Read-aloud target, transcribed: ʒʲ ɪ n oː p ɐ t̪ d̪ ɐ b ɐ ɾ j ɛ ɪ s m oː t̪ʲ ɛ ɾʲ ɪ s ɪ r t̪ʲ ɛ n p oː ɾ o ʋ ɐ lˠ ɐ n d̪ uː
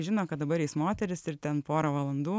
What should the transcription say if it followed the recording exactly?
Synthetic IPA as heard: ʒʲ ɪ n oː k ɐ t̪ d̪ ɐ b ɐ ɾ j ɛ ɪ s m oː t̪ʲ ɛ ɾʲ ɪ s ɪ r t̪ʲ ɛ n p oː ɾ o ʋ ɐ lˠ ɐ n d̪ uː